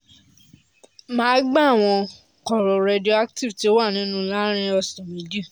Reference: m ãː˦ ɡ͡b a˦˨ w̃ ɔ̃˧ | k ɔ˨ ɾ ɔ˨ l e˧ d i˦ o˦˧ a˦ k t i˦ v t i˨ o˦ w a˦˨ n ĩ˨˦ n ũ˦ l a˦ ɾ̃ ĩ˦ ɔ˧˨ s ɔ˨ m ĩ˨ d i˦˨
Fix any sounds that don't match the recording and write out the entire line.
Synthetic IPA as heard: m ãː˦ ɡ͡b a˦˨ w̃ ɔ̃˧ | k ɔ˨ ɾ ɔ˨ ɾ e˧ d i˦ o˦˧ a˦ k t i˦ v t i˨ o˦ w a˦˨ n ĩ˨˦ n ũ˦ l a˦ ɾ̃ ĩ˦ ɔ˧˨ s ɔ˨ m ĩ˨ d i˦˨